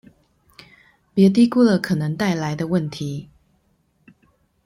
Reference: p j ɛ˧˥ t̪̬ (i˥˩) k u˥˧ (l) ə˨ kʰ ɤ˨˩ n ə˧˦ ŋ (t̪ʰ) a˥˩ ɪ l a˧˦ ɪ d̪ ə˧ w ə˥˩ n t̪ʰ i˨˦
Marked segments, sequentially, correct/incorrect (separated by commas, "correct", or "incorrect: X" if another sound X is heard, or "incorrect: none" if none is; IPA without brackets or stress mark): incorrect: i˥, correct, incorrect: t̪